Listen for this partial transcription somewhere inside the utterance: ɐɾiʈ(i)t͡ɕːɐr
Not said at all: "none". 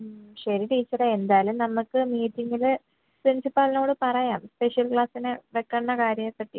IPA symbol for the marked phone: iː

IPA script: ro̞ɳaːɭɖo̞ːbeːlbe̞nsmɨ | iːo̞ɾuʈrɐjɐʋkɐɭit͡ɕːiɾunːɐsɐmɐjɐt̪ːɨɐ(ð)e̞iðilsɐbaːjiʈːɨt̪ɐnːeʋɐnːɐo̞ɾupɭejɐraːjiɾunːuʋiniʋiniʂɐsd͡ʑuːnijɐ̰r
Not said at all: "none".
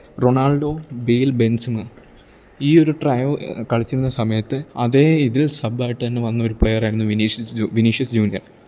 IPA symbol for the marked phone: ð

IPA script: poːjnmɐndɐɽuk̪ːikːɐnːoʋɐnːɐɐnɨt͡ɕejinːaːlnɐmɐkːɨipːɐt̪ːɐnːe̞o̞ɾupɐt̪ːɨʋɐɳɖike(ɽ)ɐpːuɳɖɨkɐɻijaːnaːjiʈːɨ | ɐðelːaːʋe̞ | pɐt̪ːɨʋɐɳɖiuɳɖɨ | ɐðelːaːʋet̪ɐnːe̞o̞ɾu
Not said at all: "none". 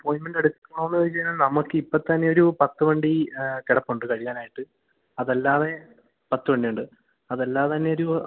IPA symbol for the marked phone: ɽ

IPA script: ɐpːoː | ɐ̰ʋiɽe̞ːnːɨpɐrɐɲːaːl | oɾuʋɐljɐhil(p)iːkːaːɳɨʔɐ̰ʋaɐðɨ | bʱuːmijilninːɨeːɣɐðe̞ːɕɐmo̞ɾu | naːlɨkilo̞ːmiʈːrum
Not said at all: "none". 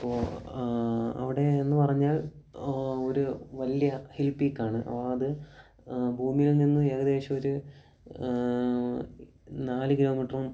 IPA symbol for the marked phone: p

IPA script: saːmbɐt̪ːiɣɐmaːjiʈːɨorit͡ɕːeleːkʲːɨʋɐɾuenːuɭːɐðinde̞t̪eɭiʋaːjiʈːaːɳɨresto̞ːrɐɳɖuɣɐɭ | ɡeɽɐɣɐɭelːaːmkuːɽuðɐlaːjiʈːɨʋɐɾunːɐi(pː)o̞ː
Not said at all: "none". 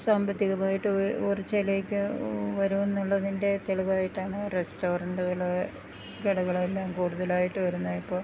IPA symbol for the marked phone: pː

